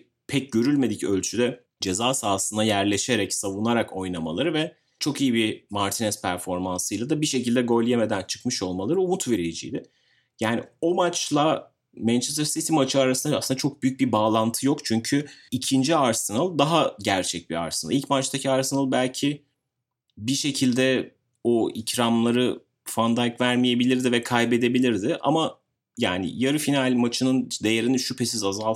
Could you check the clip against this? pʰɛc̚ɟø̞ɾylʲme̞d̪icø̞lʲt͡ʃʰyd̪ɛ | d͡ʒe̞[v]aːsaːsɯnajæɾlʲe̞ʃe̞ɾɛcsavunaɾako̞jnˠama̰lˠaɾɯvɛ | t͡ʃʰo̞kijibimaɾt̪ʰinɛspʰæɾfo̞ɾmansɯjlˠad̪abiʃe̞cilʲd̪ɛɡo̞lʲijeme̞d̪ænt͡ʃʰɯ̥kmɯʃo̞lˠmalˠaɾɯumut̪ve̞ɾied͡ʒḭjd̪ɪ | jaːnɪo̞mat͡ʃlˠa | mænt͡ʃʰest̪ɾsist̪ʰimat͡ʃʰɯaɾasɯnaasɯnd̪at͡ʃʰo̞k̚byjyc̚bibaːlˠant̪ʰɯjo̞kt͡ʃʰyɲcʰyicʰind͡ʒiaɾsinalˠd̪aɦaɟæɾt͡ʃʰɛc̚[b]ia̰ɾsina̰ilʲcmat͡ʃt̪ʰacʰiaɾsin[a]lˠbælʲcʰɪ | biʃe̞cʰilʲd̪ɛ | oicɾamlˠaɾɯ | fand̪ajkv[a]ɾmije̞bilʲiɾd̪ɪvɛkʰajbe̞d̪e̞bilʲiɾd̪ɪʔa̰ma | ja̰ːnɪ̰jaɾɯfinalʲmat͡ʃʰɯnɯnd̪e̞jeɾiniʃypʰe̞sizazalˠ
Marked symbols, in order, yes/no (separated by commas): no, yes, yes, no